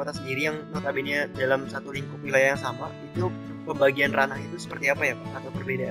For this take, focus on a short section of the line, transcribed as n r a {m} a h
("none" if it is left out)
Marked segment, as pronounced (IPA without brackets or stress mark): n